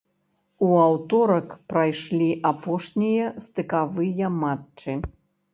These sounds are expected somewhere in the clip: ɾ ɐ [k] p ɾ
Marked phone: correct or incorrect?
correct